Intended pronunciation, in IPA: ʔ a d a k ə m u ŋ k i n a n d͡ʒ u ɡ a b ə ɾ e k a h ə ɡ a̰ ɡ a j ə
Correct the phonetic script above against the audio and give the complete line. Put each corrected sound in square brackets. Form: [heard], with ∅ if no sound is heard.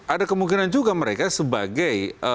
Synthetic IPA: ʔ a d a k ə m u ŋ k i n a n d͡ʒ u ɡ a [m] ə ɾ e k a [s] ə [b] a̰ ɡ a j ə